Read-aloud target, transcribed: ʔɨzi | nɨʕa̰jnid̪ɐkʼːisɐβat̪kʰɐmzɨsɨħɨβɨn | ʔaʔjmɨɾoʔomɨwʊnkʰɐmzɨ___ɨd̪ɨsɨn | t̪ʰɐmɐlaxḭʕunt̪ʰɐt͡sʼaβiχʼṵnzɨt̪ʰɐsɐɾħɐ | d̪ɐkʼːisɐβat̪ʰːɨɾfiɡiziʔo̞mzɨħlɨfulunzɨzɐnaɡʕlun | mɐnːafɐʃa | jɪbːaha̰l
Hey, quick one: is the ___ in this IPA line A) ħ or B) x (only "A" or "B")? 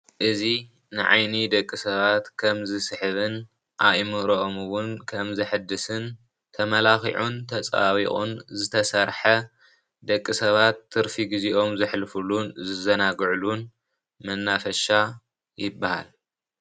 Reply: A